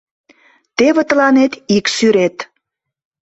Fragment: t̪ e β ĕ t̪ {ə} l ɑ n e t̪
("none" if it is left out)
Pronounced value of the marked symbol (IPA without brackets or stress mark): ə